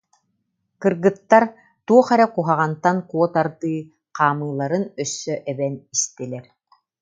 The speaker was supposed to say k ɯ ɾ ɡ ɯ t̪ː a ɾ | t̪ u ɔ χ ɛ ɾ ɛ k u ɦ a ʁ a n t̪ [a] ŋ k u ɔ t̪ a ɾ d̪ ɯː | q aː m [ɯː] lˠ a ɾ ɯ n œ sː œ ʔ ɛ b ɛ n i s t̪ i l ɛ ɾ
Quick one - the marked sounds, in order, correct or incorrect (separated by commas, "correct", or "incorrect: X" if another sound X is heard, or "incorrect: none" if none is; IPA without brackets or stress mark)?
correct, correct